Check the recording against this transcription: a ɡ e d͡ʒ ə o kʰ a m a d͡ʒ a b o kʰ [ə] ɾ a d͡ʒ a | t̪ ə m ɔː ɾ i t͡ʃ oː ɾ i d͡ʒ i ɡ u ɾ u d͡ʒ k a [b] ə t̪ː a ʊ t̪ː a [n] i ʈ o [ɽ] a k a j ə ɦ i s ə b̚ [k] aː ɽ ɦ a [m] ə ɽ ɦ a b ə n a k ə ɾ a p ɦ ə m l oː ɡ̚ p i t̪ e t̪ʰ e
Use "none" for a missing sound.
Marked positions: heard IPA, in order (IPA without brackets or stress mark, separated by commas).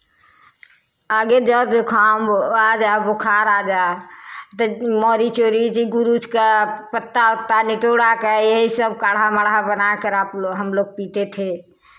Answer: a, p, n, ɽ, k, m